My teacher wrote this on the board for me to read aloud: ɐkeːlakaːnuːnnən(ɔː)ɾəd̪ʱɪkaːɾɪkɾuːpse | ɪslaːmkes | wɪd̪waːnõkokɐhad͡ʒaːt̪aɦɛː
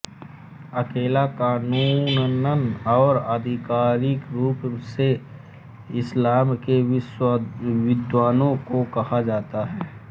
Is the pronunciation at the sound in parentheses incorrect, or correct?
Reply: correct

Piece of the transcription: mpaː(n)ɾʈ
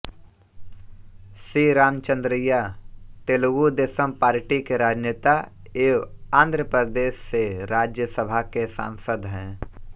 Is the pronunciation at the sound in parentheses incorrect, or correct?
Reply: incorrect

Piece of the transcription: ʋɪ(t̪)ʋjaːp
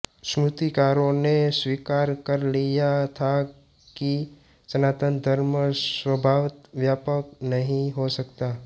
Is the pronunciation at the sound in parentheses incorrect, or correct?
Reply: correct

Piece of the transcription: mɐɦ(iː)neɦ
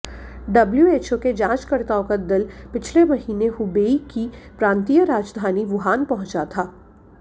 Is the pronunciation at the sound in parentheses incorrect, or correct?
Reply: correct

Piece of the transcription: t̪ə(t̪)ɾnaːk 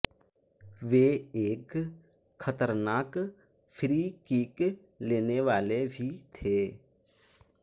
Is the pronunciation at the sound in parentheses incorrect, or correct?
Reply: incorrect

